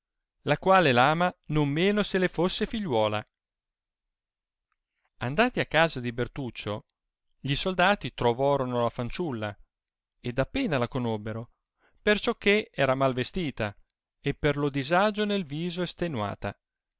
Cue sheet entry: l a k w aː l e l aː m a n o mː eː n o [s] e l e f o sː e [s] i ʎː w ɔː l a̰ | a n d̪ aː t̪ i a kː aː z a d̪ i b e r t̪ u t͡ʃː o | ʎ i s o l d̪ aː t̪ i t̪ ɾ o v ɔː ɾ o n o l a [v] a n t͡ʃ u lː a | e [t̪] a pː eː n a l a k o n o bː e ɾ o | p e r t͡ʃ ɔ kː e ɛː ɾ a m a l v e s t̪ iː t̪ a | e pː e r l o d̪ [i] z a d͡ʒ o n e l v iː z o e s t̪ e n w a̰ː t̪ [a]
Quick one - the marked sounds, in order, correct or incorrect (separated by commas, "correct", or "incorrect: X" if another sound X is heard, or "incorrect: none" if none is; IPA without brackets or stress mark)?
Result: correct, incorrect: f, incorrect: f, incorrect: d̪, correct, correct